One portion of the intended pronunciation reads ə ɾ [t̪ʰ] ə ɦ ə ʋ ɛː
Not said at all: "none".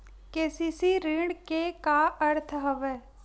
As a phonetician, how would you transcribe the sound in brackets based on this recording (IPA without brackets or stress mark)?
t̪ʰ